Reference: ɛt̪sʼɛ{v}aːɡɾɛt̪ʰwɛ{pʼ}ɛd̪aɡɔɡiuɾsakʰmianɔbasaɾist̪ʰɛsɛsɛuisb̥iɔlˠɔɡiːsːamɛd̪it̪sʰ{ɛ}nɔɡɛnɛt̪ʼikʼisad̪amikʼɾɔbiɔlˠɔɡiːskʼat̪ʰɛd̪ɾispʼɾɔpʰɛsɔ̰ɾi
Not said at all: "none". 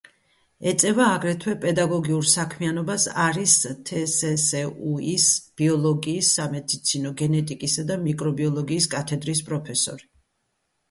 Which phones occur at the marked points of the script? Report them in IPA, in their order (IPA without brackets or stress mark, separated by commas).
v, pʼ, i